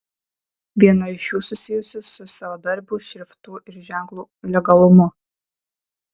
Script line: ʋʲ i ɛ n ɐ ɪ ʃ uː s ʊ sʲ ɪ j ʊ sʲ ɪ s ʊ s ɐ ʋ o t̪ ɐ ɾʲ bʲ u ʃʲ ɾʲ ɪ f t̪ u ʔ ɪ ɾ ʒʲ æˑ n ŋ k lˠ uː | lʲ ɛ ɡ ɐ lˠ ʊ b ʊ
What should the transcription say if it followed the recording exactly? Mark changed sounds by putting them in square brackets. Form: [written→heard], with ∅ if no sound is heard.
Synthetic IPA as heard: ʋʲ i ɛ n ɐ ɪ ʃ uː s ʊ sʲ ɪ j ʊ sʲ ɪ s ʊ s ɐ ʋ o [t̪→d̪] ɐ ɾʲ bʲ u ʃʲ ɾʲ ɪ f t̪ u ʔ ɪ ɾ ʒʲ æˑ [n→∅] ŋ k lˠ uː | lʲ ɛ ɡ ɐ lˠ ʊ [b→m] ʊ